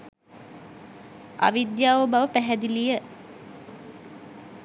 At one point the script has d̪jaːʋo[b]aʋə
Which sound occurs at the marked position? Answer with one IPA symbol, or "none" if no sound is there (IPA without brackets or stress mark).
b